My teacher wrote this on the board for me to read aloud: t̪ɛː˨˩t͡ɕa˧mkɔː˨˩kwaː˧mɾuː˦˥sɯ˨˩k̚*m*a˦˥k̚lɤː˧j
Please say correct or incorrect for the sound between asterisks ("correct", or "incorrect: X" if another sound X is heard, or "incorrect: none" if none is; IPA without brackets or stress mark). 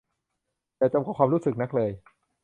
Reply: incorrect: n